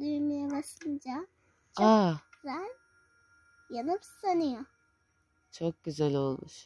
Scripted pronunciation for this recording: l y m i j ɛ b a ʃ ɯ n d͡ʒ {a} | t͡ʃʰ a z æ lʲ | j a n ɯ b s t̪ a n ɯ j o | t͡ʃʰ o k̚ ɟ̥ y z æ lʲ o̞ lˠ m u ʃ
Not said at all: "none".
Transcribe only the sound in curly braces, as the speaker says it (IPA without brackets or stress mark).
a